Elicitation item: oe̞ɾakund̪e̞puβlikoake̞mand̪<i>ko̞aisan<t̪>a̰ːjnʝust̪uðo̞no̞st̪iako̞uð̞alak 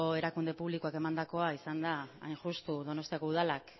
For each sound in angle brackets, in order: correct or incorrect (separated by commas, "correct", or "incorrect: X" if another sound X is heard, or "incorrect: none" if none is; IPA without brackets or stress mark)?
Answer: incorrect: a, incorrect: d̪